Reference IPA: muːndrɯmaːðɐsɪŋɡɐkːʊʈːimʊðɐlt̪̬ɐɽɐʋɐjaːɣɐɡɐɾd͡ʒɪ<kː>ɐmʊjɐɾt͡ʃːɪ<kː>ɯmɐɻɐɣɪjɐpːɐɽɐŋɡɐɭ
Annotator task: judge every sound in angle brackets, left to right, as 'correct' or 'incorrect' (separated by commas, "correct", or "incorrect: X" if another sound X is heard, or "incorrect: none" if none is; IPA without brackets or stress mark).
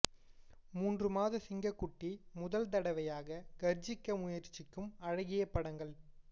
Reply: correct, correct